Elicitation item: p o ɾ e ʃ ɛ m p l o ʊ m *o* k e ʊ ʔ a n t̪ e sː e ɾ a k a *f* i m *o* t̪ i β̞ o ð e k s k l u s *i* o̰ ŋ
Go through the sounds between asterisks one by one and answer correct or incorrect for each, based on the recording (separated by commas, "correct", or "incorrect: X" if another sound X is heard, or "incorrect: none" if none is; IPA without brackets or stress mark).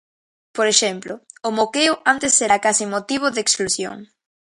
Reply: correct, incorrect: s, correct, incorrect: j